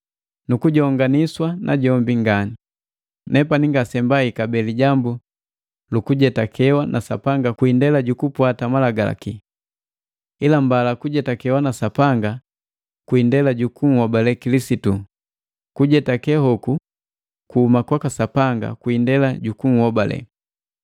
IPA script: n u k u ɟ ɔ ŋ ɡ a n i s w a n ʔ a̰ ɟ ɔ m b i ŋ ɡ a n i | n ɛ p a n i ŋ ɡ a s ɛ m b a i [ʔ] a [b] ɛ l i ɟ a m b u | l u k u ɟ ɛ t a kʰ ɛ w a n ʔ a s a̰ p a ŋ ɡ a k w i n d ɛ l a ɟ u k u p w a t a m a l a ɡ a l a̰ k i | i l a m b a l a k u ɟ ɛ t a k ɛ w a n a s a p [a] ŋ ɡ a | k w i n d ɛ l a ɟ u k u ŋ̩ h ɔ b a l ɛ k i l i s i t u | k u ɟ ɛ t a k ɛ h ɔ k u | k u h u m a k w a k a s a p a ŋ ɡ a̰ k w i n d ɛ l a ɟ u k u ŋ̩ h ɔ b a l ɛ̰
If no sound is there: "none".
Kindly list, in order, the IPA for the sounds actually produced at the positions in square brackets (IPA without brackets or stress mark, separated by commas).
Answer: k, b, a